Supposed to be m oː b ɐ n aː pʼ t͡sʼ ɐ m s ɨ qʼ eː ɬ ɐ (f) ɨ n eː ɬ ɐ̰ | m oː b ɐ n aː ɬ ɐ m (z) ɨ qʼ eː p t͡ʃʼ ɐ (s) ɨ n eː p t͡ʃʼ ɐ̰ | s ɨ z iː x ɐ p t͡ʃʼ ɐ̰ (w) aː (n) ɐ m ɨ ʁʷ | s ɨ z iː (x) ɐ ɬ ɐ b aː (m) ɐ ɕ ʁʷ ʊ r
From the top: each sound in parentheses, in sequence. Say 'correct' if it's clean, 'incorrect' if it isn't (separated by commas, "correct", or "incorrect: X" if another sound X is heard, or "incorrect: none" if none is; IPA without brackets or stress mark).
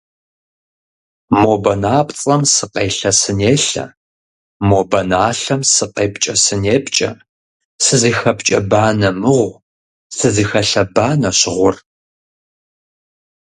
incorrect: s, incorrect: s, correct, incorrect: b, correct, correct, incorrect: n